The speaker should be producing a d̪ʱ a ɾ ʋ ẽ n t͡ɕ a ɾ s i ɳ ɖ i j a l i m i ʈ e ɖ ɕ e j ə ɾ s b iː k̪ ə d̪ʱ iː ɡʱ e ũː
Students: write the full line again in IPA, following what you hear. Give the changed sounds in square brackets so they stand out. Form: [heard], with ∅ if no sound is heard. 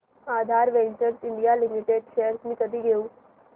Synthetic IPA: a d̪ʱ a ɾ ʋ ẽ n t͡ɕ [ə] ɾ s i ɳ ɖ i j a l i m i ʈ e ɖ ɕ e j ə ɾ s [m] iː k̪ ə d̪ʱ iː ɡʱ e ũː